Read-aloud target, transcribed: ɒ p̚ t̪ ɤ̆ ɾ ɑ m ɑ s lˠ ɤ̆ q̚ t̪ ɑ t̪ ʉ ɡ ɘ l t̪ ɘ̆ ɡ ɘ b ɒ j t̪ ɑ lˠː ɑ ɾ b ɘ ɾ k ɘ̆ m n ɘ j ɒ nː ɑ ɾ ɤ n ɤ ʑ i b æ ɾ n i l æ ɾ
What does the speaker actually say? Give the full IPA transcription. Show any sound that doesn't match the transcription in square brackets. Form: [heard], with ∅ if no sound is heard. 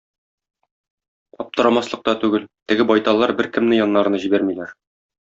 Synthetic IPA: ɒ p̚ t̪ ɤ̆ ɾ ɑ m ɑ s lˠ ɤ̆ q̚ t̪ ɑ t̪ ʉ ɡ ɘ l t̪ ɘ̆ ɡ ɘ b ɒ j t̪ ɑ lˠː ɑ ɾ b ɘ ɾ k ɘ̆ m n ɘ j ɒ nː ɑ ɾ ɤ n ɤ ʑ i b æ ɾ [m] i l æ ɾ